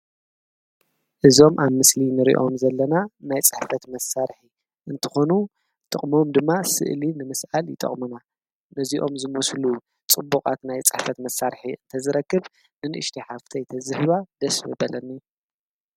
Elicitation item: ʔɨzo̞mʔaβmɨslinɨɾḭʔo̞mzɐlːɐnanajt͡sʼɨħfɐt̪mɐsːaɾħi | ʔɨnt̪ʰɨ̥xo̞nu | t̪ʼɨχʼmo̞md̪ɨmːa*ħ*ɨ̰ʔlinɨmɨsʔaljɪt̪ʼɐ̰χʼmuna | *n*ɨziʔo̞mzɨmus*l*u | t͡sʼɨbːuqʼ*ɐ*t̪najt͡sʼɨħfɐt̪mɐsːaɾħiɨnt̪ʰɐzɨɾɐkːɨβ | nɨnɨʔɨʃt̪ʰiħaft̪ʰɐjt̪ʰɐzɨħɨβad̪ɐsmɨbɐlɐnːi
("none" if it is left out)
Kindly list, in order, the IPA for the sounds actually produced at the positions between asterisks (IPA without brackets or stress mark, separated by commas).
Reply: s, n, l, a